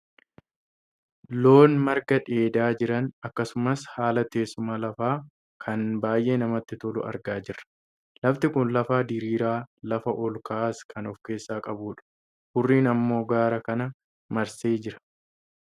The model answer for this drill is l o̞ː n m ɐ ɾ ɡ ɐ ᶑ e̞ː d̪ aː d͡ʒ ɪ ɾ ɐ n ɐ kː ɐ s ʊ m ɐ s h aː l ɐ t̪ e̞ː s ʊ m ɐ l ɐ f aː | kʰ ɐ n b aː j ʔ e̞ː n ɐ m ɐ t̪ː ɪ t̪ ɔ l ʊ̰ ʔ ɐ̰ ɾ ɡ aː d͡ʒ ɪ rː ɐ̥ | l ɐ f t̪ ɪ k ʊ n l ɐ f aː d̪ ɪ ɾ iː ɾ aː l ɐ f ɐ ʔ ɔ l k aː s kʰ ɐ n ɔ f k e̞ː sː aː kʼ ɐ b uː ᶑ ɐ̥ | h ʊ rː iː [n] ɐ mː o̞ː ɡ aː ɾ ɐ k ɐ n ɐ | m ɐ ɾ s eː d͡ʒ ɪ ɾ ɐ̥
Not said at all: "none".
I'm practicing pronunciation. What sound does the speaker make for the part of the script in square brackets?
n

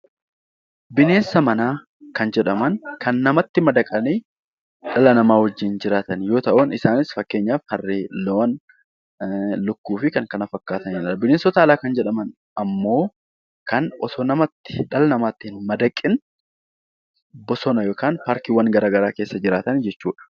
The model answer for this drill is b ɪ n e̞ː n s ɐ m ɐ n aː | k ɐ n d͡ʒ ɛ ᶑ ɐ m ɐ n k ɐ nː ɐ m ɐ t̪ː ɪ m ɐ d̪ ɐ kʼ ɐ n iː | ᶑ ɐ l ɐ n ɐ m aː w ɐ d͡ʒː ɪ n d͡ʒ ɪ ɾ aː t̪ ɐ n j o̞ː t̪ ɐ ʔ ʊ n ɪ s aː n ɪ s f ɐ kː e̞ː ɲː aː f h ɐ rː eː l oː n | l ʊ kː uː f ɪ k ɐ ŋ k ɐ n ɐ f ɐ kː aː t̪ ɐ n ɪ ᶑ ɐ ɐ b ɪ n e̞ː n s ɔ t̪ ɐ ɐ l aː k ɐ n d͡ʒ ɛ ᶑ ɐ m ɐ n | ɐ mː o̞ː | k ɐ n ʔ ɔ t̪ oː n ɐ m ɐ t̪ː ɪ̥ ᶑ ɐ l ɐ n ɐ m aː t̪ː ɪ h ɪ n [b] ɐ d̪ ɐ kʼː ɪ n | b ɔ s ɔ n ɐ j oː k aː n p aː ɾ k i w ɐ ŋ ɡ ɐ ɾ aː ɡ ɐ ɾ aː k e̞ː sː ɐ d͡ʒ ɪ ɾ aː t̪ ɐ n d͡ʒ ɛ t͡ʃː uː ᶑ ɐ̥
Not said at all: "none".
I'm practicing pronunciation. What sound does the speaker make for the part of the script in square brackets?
m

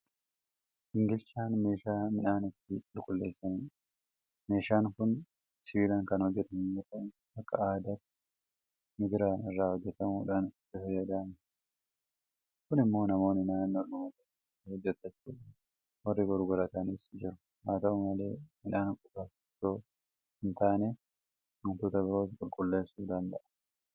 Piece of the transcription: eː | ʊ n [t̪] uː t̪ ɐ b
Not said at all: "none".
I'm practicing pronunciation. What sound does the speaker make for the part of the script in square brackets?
t̪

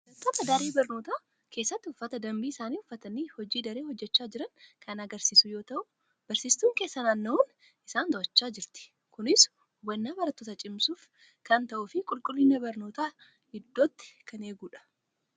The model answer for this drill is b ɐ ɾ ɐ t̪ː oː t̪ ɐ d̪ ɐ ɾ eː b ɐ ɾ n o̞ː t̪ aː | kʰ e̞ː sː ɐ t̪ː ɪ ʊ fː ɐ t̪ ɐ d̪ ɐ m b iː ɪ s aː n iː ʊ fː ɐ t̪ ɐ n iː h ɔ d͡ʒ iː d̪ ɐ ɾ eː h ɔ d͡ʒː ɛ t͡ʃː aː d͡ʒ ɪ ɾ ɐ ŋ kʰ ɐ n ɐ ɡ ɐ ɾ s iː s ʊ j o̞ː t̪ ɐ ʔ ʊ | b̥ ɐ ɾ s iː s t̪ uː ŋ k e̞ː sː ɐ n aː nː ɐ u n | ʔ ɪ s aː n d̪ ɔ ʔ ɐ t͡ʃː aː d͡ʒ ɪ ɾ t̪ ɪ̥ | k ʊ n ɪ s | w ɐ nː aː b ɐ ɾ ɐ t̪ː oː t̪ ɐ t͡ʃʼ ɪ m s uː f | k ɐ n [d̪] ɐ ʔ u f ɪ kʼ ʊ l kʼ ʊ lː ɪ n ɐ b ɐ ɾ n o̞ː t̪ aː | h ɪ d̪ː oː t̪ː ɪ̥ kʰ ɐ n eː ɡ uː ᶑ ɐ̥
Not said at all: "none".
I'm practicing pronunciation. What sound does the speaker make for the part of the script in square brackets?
t̪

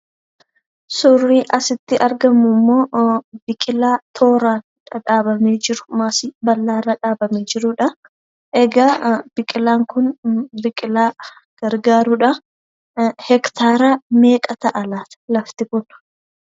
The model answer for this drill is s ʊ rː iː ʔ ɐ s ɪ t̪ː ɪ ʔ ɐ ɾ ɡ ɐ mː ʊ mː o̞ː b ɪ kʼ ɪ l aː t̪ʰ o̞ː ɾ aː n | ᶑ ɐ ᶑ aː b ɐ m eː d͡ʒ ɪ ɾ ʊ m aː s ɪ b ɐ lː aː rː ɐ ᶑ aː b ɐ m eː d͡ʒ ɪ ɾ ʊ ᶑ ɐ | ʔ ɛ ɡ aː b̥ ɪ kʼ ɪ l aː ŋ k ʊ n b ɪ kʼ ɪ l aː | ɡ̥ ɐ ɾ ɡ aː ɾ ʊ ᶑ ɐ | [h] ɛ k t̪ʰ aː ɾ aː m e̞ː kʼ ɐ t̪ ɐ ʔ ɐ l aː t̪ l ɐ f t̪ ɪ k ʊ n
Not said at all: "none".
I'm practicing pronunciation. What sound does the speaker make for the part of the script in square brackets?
h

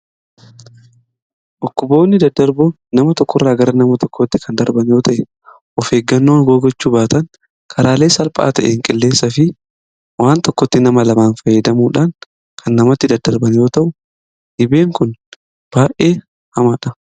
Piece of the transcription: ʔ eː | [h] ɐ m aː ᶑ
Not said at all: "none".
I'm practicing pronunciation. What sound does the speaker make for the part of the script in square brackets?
h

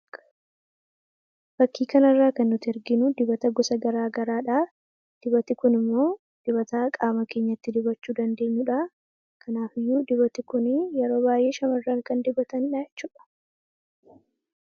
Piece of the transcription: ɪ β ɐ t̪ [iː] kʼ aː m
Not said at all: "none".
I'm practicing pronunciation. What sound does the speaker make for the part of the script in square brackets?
aː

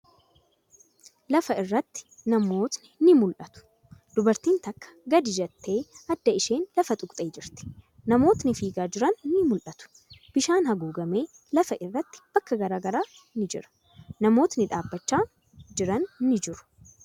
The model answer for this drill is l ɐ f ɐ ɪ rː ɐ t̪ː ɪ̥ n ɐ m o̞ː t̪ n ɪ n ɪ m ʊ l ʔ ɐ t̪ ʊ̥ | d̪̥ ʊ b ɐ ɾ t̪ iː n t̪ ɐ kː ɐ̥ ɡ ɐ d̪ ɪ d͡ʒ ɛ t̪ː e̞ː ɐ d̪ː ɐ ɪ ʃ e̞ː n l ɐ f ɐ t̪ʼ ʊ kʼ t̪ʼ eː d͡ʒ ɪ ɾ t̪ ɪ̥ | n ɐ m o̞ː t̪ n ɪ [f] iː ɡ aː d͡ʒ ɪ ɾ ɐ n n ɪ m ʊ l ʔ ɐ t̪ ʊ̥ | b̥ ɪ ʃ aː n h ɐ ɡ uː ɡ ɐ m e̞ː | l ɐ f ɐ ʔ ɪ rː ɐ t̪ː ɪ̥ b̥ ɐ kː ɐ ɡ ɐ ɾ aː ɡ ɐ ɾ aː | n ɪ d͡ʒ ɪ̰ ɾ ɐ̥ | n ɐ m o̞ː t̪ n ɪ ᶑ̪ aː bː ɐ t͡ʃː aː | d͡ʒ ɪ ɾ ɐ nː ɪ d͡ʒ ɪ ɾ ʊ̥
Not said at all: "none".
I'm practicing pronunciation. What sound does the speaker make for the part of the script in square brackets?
f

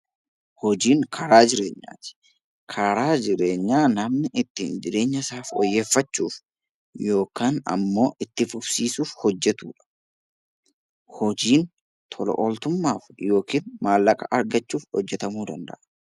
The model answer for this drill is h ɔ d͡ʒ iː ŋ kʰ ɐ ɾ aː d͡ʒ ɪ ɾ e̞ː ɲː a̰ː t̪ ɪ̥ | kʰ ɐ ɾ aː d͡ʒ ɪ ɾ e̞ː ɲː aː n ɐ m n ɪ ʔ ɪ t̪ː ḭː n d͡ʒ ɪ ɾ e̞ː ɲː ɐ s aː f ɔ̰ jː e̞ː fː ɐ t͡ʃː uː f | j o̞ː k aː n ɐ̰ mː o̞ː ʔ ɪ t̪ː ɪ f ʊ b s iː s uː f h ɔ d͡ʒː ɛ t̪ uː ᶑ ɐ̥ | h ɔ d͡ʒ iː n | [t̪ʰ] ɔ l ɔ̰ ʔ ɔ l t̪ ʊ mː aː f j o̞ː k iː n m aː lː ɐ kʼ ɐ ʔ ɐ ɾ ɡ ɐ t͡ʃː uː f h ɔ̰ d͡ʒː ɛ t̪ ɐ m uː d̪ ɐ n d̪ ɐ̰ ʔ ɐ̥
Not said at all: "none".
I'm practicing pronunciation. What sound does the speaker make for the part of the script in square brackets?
t̪ʰ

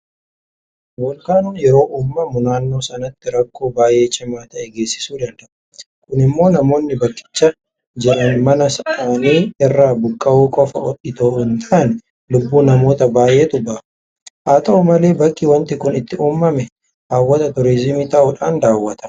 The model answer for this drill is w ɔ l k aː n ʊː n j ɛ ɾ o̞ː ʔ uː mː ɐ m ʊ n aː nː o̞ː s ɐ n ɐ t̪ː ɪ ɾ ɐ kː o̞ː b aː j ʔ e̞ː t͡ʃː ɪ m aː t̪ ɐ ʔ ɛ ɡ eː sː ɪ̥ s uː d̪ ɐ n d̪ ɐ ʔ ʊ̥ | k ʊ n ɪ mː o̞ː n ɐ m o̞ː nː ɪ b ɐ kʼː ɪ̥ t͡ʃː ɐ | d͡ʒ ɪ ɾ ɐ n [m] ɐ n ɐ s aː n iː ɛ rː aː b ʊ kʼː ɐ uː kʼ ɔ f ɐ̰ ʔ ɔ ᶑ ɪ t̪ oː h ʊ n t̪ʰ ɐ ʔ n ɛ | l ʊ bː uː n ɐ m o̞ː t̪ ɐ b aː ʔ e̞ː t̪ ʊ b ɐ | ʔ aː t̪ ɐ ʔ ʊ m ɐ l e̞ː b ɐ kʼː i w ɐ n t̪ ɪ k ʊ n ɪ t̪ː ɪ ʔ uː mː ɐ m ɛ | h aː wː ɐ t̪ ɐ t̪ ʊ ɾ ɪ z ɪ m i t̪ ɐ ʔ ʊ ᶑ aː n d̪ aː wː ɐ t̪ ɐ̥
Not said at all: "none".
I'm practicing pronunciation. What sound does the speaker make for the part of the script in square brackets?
m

